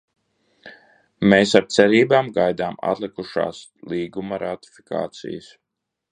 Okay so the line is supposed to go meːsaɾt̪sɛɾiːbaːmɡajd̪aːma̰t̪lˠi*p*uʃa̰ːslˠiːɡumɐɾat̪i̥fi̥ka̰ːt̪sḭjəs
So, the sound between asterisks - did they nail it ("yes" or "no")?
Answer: no